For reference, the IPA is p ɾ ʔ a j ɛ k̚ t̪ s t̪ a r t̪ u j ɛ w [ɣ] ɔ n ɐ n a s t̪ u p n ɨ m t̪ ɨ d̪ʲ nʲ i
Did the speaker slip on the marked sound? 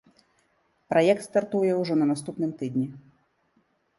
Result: yes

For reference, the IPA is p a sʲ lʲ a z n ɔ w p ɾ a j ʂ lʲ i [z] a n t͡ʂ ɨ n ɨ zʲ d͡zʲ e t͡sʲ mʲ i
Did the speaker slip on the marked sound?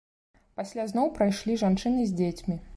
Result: yes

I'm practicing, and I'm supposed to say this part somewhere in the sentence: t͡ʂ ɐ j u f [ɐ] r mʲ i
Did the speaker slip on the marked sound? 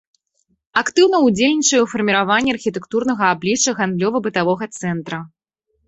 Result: no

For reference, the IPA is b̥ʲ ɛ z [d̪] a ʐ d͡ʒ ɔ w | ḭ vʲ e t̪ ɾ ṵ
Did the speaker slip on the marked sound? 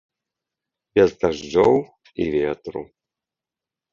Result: no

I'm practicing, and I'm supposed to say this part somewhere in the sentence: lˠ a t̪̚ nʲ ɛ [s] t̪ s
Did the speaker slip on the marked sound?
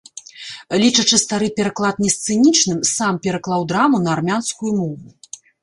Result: no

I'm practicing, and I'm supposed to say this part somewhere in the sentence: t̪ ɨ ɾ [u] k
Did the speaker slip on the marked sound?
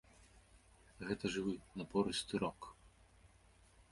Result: yes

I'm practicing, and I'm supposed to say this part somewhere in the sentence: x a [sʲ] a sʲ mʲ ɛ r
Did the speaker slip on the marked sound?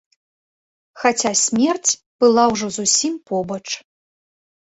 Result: yes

